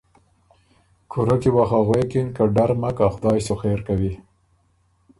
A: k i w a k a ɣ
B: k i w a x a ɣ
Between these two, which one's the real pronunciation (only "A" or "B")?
B